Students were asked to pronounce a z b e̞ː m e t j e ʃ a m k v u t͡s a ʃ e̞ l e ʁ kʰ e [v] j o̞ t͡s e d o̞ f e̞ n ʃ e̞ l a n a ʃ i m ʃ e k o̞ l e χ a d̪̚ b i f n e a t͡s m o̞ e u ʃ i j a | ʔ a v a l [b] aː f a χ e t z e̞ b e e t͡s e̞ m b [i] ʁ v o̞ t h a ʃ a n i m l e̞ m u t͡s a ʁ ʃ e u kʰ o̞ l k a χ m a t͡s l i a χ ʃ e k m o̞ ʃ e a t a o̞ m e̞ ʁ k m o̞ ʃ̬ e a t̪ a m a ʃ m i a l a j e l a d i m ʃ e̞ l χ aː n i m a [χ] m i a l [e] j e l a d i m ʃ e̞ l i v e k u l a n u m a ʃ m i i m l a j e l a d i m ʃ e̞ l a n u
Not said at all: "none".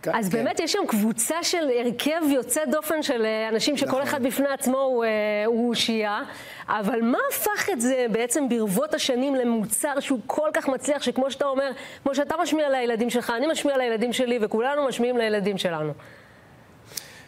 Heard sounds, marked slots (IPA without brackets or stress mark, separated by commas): v, m, i, ʃ, a